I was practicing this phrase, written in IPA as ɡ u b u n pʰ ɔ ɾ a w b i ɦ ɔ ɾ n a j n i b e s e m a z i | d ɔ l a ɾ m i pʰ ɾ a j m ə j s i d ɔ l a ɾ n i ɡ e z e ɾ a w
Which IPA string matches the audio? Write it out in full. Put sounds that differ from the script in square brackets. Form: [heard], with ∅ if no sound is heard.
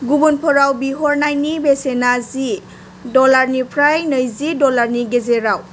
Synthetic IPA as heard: ɡ u b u n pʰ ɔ ɾ a w b i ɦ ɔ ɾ n a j n i b e s e [n] a z i | d ɔ l a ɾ [n] i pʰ ɾ a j [n] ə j [z] i d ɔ l a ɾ n i ɡ e z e ɾ a w